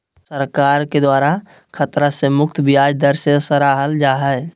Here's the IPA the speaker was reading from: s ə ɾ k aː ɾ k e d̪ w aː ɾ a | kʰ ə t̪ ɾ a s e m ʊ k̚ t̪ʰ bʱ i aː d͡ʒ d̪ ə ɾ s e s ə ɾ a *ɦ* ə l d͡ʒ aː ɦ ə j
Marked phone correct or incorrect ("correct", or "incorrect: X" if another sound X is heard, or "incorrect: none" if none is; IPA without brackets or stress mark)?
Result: correct